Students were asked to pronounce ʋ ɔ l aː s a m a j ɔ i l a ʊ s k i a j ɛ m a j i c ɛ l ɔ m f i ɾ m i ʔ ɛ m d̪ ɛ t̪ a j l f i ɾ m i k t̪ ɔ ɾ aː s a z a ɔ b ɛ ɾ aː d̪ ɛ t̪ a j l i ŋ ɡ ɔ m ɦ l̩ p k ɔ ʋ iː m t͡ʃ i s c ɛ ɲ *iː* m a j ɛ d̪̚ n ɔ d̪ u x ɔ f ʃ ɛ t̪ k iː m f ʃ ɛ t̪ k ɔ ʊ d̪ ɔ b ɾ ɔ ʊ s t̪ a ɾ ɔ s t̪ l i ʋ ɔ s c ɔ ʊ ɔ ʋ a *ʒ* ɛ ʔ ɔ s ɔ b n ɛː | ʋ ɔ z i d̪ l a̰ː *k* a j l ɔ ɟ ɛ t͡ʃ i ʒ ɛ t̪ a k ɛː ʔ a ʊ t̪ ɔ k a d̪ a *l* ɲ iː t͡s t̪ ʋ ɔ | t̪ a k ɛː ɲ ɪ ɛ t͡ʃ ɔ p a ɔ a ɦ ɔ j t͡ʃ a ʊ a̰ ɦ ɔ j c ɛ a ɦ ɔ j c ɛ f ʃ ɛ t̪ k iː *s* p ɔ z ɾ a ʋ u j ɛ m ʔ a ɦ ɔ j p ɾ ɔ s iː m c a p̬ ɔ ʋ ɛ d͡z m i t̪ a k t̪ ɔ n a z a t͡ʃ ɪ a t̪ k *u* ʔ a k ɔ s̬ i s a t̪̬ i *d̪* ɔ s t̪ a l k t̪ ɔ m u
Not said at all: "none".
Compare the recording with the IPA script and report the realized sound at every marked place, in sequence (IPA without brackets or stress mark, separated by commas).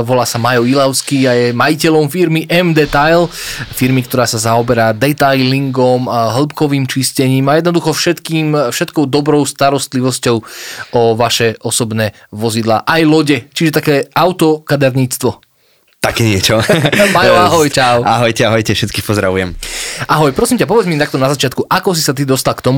iː, ʃ, ʔ, ɾ, x, u, d̪